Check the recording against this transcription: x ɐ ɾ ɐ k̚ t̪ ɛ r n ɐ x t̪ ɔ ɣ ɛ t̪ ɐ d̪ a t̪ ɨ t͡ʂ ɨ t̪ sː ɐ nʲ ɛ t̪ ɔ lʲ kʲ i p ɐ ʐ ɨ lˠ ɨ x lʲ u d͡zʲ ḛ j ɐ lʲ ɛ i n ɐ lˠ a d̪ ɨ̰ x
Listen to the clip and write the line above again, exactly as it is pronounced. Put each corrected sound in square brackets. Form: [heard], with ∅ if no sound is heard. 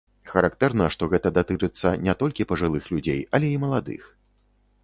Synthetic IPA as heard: x ɐ ɾ [a] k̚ t̪ ɛ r n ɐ [ʂ] t̪ ɔ ɣ ɛ t̪ ɐ d̪ a t̪ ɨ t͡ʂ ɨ t̪ sː ɐ nʲ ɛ t̪ ɔ lʲ kʲ i p ɐ ʐ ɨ lˠ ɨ x lʲ u d͡zʲ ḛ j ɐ lʲ ɛ i [m] ɐ lˠ a d̪ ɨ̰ x